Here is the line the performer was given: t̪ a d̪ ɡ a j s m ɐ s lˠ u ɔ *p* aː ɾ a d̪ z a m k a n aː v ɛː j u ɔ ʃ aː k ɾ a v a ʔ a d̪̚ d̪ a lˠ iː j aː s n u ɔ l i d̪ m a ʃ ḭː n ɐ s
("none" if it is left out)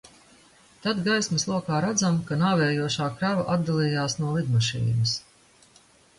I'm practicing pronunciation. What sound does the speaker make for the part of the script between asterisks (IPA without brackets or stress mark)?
k